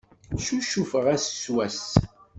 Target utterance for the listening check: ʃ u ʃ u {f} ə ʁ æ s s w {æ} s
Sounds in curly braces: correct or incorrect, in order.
correct, correct

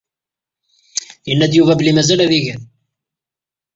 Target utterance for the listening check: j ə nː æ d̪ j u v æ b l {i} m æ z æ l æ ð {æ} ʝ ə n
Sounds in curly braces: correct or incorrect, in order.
correct, incorrect: i

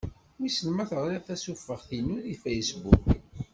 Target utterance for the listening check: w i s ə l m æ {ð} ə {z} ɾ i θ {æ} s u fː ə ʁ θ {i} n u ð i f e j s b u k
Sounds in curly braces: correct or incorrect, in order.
incorrect: θ, incorrect: ʁ, correct, correct

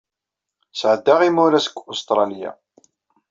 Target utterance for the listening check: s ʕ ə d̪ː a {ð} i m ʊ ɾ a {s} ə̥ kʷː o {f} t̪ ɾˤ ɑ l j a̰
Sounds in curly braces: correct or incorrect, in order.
incorrect: ʁ, correct, incorrect: s

